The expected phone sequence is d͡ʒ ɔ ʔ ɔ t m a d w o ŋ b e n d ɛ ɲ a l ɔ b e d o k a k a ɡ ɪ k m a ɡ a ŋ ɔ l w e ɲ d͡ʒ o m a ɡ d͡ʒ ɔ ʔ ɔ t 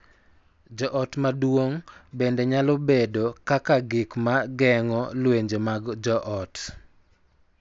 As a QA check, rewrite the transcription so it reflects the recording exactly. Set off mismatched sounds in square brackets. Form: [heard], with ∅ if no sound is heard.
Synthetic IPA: d͡ʒ ɔ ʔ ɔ t m a d w o ŋ b e n d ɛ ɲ a l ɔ b e d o k a k a ɡ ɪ k m a ɡ [ɛ] ŋ ɔ l w e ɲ d͡ʒ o m a ɡ d͡ʒ ɔ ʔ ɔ t